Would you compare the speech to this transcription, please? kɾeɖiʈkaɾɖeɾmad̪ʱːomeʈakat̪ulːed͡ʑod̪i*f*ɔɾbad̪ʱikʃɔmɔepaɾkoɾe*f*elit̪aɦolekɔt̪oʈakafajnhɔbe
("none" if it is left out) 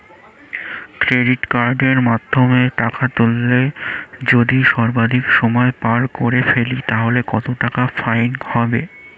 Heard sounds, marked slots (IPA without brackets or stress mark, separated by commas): ʃ, f